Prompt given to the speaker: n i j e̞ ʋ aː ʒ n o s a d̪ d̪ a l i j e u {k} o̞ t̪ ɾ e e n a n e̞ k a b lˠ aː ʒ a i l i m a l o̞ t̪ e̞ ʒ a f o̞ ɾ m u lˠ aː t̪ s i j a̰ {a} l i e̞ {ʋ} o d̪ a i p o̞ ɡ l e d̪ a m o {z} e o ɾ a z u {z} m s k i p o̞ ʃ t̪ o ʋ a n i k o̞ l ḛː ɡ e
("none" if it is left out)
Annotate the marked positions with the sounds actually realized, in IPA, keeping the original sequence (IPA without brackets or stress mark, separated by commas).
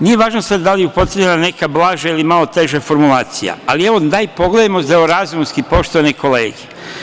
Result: p, a, ʋ, z, none